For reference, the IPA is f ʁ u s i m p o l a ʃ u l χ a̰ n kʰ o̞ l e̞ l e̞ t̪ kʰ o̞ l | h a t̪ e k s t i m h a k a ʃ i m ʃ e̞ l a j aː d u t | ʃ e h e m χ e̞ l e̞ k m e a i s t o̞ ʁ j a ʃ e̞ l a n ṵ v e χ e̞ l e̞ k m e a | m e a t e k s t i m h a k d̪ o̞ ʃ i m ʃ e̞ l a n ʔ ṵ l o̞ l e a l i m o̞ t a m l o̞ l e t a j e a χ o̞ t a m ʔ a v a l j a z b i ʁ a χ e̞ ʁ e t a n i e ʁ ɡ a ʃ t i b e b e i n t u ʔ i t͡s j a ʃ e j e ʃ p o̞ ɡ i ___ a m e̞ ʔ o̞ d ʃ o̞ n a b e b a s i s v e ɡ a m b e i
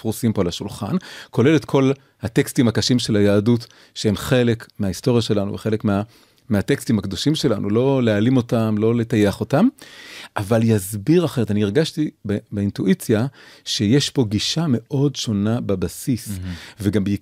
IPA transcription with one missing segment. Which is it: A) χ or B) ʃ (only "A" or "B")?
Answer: B